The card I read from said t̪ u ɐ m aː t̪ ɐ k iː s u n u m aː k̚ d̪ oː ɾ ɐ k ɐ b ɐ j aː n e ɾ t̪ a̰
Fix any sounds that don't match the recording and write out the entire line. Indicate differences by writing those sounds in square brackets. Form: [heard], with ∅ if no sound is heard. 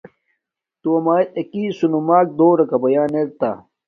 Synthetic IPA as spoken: t̪ u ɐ m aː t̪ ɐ k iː s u n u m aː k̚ d̪ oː ɾ ɐ k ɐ b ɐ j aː n e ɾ t̪ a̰